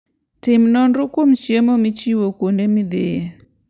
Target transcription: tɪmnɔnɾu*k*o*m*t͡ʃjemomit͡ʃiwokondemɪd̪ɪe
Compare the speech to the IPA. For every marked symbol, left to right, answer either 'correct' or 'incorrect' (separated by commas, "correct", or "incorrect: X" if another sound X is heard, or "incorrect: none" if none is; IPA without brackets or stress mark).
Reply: correct, correct